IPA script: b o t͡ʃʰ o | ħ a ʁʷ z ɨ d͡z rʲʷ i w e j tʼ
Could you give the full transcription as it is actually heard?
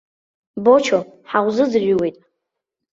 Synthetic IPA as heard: b o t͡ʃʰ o | ħ a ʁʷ z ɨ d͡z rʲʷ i w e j tʼ